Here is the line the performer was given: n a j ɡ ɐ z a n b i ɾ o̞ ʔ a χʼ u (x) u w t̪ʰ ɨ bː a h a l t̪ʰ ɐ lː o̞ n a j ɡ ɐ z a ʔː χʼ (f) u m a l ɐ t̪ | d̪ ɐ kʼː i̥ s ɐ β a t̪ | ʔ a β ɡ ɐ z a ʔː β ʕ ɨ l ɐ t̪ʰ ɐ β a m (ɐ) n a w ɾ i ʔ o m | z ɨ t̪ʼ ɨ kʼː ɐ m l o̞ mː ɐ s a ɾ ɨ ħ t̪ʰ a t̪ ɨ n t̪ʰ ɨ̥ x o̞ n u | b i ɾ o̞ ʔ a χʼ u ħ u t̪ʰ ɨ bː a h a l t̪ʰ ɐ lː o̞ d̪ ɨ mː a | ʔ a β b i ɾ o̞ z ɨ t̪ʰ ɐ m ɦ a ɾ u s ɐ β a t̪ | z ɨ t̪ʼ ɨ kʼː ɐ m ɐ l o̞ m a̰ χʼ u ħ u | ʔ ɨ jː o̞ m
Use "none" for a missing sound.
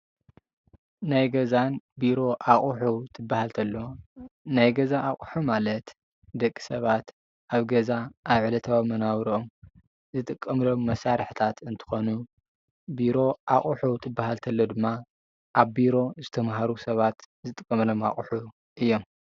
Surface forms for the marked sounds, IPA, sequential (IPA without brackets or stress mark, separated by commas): ħ, ħ, ɐ